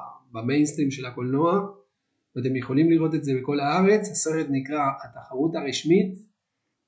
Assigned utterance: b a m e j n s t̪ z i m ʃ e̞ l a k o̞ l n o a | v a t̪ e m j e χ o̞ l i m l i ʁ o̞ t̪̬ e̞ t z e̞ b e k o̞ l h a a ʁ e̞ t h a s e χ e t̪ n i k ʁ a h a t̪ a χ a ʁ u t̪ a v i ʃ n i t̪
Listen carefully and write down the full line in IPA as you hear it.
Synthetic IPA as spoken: b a m e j n s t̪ ʁ i m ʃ e̞ l a k o̞ l n o a | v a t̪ e m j e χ o̞ l i m l i ʁ o̞ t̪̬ e̞ t z e̞ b e k o̞ l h a a ʁ e̞ t͡s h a s e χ e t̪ n i k ʁ a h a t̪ a χ a ʁ u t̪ a ʁ i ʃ m i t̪